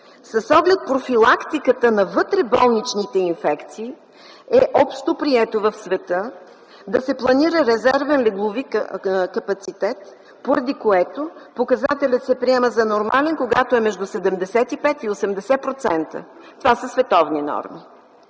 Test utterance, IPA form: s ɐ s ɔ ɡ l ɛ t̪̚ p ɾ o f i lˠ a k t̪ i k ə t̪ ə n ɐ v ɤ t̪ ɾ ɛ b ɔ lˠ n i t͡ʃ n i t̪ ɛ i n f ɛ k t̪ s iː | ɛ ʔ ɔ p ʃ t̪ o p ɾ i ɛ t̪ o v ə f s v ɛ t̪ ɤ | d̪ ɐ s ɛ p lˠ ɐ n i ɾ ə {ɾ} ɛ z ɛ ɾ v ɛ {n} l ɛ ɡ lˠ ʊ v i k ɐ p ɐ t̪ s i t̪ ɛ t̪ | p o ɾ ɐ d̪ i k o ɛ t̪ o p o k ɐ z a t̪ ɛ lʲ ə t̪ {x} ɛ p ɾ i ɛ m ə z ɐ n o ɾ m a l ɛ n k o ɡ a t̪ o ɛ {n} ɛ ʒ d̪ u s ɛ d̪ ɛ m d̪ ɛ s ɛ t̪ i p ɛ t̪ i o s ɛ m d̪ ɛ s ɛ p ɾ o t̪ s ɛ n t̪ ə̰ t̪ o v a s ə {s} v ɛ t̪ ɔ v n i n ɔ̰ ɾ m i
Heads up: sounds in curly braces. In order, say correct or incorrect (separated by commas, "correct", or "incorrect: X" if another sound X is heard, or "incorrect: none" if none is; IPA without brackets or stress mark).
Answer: correct, correct, incorrect: s, incorrect: m, correct